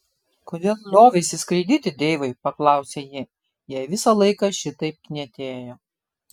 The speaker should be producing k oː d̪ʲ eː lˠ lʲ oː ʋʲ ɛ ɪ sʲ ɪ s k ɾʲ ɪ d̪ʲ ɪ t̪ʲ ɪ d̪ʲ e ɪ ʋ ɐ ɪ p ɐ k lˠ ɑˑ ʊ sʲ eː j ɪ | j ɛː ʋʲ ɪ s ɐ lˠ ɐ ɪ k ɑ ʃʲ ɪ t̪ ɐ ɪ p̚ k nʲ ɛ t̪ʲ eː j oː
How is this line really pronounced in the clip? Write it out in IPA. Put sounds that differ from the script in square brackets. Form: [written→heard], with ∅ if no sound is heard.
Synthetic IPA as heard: k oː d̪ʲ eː lˠ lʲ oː ʋʲ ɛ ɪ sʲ ɪ s k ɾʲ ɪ d̪ʲ ɪ t̪ʲ ɪ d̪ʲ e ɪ ʋ ɐ ɪ p ɐ k lˠ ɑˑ ʊ sʲ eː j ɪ | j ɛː ʋʲ ɪ s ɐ lˠ ɐ ɪ k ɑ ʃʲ ɪ t̪ ɐ ɪ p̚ k nʲ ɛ t̪ʲ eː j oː